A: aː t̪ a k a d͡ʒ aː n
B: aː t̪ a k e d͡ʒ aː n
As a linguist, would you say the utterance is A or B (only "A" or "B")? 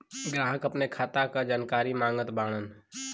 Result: A